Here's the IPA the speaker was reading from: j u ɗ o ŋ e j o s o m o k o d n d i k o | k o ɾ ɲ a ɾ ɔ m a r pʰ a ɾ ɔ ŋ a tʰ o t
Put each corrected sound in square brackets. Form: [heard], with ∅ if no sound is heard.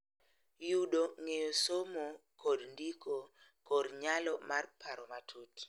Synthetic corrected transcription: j u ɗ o ŋ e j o s o m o k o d n d i k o | k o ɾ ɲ a [l] ɔ m a r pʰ a ɾ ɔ [m] a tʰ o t